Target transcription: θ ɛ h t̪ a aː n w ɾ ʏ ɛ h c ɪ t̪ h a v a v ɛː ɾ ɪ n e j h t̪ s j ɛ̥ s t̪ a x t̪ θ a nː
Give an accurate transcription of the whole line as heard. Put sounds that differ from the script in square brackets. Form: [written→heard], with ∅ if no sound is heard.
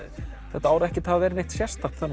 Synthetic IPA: θ ɛ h t̪ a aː [n→∅] w ɾ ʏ ɛ h c ɪ t̪ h a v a v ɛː ɾ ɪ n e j h t̪ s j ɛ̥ s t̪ a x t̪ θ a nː